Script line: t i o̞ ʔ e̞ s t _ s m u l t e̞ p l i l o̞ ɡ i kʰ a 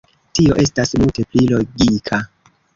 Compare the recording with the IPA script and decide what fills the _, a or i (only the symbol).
a